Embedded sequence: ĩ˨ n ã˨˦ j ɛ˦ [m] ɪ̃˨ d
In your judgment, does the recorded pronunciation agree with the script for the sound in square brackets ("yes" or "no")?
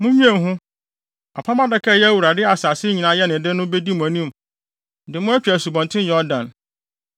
no